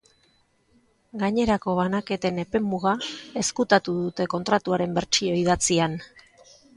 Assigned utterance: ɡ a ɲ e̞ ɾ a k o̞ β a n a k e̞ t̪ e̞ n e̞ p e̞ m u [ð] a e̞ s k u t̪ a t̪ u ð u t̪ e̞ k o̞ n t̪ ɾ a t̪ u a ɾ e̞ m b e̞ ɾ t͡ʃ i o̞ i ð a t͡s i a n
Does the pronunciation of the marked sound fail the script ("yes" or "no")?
yes